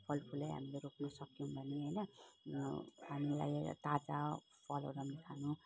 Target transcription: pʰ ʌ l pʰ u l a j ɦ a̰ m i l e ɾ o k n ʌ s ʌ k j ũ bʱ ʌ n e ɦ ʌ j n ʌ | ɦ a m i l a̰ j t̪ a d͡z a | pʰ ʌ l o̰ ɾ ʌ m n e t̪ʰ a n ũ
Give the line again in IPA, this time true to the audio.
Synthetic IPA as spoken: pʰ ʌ l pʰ u l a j ɦ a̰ m i l e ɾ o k n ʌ s ʌ k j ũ bʱ ʌ n e ɦ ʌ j n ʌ | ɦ a m i l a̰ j t̪ a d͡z a | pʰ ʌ l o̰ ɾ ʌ m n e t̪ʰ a n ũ